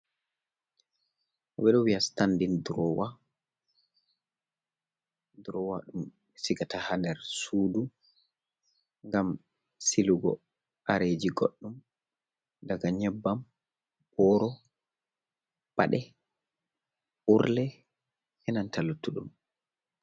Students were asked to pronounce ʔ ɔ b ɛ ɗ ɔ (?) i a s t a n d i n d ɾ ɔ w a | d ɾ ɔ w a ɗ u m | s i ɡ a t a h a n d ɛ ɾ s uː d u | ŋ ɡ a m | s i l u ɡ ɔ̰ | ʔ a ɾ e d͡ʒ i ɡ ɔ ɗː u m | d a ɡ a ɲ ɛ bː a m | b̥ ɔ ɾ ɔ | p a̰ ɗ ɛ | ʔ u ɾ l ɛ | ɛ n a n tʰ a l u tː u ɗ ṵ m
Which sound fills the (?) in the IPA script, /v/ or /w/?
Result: w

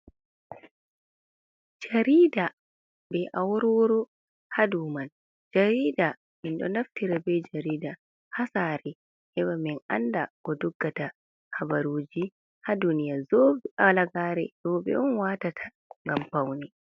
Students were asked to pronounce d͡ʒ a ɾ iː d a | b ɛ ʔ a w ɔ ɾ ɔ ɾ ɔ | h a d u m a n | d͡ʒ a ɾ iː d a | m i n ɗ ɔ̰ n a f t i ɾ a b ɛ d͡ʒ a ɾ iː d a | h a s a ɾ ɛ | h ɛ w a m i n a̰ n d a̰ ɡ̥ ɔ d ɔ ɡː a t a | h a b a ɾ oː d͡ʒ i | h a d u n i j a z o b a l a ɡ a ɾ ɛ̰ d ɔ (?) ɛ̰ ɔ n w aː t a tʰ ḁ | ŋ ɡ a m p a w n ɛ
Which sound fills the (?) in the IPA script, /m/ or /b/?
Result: b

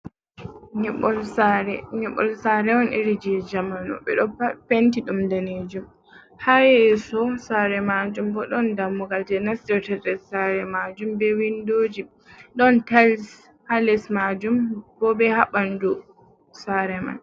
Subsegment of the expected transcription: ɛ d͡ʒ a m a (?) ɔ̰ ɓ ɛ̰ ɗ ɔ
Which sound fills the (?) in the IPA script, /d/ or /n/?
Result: n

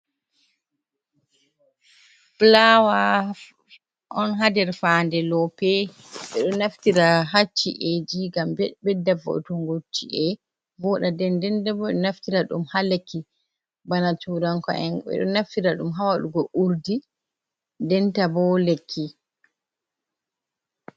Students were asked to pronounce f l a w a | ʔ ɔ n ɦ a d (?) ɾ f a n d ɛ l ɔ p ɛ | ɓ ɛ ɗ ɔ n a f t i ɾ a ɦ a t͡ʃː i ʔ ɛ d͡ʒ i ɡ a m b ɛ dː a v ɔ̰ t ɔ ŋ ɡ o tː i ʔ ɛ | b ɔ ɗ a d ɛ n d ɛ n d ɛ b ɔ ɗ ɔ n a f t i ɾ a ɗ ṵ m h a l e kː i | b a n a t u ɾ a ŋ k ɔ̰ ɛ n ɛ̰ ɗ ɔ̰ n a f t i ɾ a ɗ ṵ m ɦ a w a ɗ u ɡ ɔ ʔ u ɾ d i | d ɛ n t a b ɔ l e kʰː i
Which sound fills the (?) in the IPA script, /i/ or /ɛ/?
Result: ɛ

